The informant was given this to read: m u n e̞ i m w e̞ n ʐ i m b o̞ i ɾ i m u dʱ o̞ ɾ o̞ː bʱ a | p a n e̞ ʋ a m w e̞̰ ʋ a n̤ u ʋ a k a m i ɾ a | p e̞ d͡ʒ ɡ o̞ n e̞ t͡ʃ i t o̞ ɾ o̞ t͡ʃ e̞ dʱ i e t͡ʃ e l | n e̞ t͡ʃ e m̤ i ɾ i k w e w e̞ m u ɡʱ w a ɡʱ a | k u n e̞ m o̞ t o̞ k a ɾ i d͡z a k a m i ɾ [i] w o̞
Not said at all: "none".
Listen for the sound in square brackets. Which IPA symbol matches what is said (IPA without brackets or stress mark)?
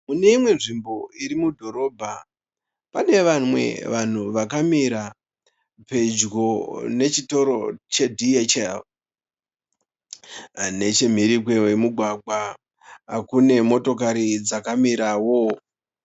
a